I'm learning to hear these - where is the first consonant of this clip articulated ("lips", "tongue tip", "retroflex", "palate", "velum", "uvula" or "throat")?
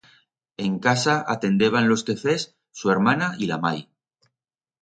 velum